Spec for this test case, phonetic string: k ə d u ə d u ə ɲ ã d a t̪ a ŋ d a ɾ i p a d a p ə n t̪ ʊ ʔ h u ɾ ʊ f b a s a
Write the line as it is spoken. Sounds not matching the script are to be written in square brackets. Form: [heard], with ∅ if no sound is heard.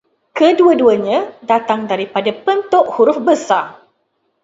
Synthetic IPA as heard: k ə d u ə d u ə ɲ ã d a t̪ a ŋ d a ɾ i p a d a p ə n t̪ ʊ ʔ h u ɾ ʊ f b [ə] s a